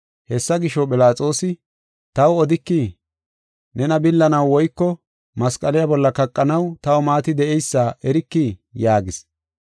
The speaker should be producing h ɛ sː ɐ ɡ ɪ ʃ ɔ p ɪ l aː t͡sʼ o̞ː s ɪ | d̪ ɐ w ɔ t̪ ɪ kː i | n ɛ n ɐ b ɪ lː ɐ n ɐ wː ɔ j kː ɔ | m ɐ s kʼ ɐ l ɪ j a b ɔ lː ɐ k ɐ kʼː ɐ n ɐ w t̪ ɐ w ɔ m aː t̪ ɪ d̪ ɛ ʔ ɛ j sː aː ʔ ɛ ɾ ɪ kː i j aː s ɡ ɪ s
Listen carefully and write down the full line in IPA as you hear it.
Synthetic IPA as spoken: h ɛ sː ɐ ɡ ɪ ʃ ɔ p ɪ l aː t͡sʼ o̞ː s ɪ | t̪ ɐ w ɔ d̪ ɪ kː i | n ɛ n ɐ b ɪ lː ɐ n ɐ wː ɔ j kː ɔ | m ɐ s kʼ ɐ l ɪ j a b ɔ lː ɐ k ɐ kʼː ɐ n ɐ w t̪ ɐ w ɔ m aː t̪ ɪ d̪ ɛ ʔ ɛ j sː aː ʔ ɛ ɾ ɪ kː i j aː ɡ ɪ s